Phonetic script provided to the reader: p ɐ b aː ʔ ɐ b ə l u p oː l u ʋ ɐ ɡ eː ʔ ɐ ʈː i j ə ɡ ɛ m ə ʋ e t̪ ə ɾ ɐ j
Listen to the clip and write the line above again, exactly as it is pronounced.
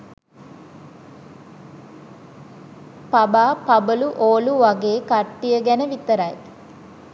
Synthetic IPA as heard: p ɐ b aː p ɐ b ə l u ʔ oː l u ʋ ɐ ɡ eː k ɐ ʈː i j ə ɡ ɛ n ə ʋ i t̪ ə ɾ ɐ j